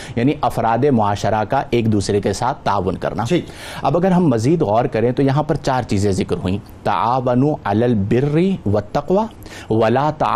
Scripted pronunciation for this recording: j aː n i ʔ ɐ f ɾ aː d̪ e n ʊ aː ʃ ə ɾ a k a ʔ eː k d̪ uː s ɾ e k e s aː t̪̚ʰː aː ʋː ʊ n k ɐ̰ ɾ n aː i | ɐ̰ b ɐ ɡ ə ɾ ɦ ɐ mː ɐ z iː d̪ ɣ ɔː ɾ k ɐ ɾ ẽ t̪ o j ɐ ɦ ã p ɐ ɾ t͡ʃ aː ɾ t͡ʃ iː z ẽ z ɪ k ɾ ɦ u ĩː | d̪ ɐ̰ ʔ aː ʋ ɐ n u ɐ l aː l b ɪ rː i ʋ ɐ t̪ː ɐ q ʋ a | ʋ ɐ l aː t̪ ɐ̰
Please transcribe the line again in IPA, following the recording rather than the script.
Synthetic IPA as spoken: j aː n i ʔ ɐ f ɾ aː d̪ e m ʊ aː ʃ ə ɾ a k a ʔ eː k d̪ uː s ɾ e k e s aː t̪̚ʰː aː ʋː ʊ n k ɐ̰ ɾ n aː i | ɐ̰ b ɐ ɡ ə ɾ ɦ ɐ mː ɐ z iː d̪ ɣ ɔː ɾ k ɐ ɾ ẽ t̪ o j ɐ ɦ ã p ɐ ɾ t͡ʃ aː ɾ t͡ʃ iː z ẽ z ɪ k ɾ ɦ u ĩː | t̪ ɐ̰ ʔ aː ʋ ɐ n u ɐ l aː l b ɪ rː i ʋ ɐ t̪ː ɐ q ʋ a | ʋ ɐ l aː t̪ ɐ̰